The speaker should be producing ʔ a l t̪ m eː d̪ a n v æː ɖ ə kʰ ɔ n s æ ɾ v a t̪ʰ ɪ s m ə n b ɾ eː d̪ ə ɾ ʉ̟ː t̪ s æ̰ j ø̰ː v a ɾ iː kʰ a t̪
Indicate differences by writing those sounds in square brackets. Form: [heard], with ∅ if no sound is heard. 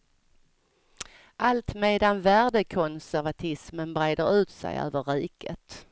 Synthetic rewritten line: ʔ a l t̪ m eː d̪ a n v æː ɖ ə kʰ ɔ n s æ ɾ v a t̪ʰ ɪ s m ə n b ɾ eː d̪ ə ɾ ʉ̟ː t̪ s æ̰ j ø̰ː v [ə] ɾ iː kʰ [ə] t̪